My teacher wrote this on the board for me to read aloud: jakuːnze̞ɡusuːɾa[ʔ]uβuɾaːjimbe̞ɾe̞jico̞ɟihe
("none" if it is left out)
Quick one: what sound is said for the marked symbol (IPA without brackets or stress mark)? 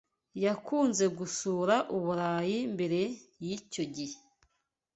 ʔ